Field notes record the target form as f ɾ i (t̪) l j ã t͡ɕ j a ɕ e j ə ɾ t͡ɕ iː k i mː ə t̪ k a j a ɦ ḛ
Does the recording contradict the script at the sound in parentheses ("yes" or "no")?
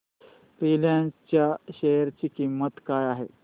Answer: yes